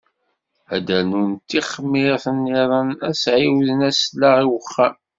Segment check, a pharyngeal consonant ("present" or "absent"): present